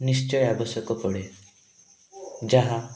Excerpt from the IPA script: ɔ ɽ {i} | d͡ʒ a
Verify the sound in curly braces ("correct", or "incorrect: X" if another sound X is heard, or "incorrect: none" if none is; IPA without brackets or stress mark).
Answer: incorrect: e